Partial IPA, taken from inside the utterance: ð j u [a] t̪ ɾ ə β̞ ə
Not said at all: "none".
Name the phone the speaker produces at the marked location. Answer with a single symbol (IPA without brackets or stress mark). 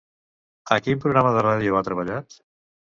a